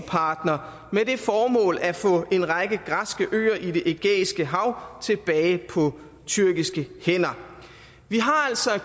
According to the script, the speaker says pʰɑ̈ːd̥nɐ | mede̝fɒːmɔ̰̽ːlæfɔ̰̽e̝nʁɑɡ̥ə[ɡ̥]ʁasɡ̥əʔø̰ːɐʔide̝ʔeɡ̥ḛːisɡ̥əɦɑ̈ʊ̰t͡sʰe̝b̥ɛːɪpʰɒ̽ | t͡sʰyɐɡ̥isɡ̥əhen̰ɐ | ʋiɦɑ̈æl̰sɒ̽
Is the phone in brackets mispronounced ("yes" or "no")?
no